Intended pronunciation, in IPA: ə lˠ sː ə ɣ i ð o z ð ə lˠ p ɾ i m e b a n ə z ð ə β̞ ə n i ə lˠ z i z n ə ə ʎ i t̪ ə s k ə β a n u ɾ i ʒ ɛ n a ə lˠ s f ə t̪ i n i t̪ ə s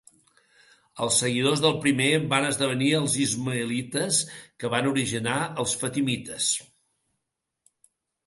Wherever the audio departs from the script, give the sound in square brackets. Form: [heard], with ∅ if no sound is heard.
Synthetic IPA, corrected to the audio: ə lˠ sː ə ɣ i ð o z ð ə lˠ p ɾ i m e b a n ə z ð ə β̞ ə n i ə lˠ z i z [m] ə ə [l] i t̪ ə s k ə β a n u ɾ i ʒ [i] n a ə lˠ s f ə t̪ i [m] i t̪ ə s